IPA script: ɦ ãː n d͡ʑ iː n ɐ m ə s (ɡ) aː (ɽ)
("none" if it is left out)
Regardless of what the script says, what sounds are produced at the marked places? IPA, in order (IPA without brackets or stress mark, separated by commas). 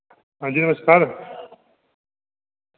k, ɾ